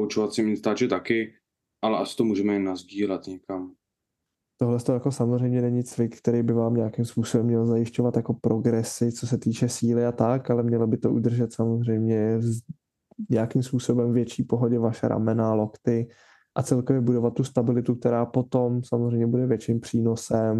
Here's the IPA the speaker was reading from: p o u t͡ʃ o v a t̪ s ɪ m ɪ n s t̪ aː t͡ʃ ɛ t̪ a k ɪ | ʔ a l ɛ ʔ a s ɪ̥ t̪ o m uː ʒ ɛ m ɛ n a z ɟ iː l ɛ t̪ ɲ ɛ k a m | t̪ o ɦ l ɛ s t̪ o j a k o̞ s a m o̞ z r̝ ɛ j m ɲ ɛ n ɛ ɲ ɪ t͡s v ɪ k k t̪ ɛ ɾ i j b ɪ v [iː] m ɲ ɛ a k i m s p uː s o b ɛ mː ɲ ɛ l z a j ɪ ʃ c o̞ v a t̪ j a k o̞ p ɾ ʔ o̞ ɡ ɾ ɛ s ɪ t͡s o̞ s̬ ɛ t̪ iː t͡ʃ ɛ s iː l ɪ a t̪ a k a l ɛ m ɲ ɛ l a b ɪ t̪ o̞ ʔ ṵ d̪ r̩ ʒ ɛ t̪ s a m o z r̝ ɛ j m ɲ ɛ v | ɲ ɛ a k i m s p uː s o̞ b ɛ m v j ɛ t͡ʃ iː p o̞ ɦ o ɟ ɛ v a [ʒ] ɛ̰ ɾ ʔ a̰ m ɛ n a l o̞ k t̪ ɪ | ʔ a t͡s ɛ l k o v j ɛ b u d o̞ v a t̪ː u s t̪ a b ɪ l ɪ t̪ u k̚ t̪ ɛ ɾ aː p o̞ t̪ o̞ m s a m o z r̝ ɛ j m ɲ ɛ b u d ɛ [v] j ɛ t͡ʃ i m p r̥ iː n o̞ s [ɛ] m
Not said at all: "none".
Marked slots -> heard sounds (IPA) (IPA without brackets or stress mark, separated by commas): aː, ʃ, v, ɛ